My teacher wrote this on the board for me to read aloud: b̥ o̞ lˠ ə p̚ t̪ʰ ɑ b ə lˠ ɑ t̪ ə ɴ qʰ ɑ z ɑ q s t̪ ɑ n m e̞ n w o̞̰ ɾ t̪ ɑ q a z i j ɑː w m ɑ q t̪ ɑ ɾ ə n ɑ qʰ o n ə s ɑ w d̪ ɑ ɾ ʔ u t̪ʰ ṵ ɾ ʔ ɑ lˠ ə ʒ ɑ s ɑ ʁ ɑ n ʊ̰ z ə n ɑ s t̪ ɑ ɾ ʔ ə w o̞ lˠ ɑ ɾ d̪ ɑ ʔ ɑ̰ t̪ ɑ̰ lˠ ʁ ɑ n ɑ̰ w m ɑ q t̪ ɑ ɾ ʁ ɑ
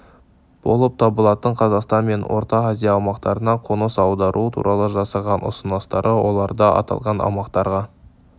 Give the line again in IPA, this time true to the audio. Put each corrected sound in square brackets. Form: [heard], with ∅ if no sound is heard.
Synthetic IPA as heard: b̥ o̞ lˠ ə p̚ t̪ʰ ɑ b ə lˠ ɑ t̪ ə ɴ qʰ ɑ z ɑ q s t̪ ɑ n m e̞ n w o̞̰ ɾ t̪ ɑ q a z i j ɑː w m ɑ q t̪ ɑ ɾ ə n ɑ qʰ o n ə s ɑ w d̪ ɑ ɾ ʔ u t̪ʰ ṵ ɾ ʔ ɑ lˠ ə ʒ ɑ s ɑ ʁ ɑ n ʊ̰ [s] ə n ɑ s t̪ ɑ ɾ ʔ ə w o̞ lˠ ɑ ɾ d̪ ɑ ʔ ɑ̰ t̪ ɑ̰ lˠ ʁ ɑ n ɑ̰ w m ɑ q t̪ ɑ ɾ ʁ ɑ